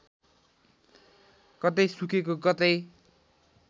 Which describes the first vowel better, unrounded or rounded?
unrounded